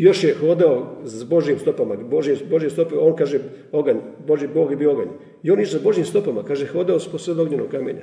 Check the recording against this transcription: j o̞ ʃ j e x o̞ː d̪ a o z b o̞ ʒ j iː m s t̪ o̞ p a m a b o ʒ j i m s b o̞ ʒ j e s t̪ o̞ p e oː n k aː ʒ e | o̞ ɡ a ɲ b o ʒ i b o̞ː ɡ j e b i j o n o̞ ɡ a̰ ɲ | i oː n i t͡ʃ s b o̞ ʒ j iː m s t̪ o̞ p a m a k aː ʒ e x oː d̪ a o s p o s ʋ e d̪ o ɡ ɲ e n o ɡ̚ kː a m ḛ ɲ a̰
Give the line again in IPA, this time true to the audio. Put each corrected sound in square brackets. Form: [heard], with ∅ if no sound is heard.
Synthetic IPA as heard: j o̞ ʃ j e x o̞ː d̪ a o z b o̞ ʒ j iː m s t̪ o̞ p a m a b o ʒ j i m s b o̞ ʒ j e s t̪ o̞ p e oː n k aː ʒ e | o̞ ɡ a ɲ b o ʒ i b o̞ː ɡ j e b i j o [∅] o̞ ɡ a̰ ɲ | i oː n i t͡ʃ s b o̞ ʒ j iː m s t̪ o̞ p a m a k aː ʒ e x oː d̪ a o s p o s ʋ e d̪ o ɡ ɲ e n o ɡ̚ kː a m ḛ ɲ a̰